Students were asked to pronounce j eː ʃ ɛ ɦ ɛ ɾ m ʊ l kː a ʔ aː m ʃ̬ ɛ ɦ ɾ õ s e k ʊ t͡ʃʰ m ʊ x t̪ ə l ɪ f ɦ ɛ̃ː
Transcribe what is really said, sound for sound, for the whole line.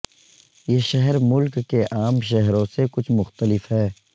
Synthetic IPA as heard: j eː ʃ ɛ ɦ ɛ ɾ m ʊ l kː e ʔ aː m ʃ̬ ɛ ɦ ɾ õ s e k ʊ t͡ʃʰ m ʊ x t̪ ə l ɪ f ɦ ɛː